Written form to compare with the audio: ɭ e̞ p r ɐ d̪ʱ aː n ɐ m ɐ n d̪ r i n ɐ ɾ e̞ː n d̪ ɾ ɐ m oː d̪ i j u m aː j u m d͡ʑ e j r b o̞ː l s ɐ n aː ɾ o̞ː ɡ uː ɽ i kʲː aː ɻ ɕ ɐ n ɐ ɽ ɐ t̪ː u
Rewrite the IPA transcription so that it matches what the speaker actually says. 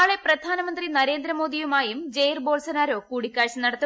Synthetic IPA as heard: ɭ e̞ p r ɐ d̪ʱ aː n ɐ m ɐ n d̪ r i n ɐ ɾ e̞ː n d̪ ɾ ɐ m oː d̪ i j u m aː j u m d͡ʑ e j r b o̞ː l s ɐ n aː ɾ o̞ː k uː ɽ i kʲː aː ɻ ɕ ɐ n ɐ ɽ ɐ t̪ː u